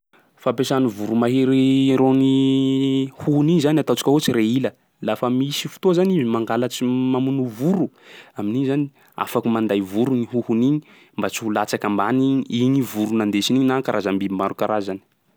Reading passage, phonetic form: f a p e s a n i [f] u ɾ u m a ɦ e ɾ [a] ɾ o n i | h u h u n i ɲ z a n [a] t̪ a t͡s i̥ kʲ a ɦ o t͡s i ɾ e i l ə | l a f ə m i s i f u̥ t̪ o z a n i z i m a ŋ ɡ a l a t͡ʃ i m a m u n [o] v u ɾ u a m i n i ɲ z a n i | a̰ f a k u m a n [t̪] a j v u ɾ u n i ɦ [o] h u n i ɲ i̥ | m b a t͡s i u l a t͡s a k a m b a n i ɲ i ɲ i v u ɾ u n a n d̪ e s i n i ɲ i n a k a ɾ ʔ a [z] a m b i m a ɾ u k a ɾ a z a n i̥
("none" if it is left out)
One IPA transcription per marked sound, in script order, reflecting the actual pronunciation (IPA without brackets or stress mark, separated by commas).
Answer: v, i, a, u, d̪, u, z